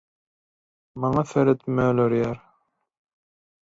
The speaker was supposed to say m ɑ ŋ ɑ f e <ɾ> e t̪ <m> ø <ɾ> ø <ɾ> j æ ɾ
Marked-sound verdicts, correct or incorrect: correct, correct, incorrect: l, correct

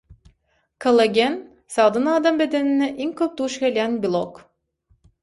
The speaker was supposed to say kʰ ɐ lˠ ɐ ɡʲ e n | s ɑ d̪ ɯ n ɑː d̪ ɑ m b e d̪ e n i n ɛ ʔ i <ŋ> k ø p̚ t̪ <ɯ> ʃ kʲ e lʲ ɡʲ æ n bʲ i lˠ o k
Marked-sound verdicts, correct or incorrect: correct, incorrect: u

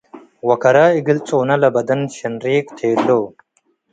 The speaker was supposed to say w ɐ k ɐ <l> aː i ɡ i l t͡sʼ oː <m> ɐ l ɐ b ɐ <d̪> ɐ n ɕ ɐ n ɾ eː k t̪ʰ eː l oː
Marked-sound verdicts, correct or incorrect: incorrect: ɾ, incorrect: n, correct

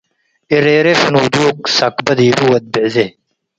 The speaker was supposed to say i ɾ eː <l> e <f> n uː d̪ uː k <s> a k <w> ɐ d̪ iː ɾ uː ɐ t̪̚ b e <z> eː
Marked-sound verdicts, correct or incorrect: incorrect: ɾ, correct, correct, incorrect: b, correct

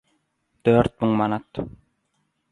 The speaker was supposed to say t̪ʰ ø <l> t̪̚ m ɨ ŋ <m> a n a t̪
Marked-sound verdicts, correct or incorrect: incorrect: ɾ, correct

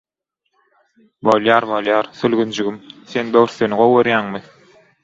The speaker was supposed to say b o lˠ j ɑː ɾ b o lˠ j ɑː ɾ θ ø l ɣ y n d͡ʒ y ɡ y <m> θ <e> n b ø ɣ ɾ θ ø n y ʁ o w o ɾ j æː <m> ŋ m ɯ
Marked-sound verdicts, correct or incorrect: correct, correct, incorrect: none

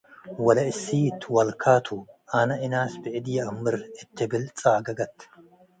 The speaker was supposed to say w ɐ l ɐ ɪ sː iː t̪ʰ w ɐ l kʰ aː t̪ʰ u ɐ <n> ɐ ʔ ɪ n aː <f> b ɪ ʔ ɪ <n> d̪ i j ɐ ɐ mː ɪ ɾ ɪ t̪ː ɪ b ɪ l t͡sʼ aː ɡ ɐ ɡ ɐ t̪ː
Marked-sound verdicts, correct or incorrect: correct, incorrect: s, incorrect: none

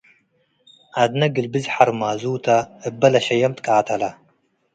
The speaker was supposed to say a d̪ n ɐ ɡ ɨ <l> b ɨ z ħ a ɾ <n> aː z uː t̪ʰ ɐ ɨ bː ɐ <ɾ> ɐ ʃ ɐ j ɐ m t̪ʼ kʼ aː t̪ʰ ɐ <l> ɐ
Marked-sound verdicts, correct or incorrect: correct, incorrect: m, incorrect: l, correct

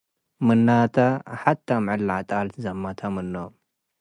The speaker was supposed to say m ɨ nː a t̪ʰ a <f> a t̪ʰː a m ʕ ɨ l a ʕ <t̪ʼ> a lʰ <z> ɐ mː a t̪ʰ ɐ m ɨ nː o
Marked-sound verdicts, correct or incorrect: incorrect: ħ, correct, correct

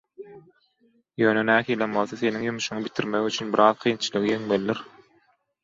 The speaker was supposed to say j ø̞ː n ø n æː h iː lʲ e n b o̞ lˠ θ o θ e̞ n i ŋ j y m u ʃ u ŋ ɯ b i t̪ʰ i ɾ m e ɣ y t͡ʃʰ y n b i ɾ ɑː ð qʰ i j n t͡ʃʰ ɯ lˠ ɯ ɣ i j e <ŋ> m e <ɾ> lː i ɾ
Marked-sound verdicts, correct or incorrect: correct, incorrect: none

